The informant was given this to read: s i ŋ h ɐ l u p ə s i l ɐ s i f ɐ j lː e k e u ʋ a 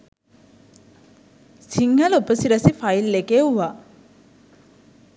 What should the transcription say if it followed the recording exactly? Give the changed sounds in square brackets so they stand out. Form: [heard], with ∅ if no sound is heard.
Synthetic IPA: s i ŋ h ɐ l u p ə s i [ɾ] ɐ s i f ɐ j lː e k e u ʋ a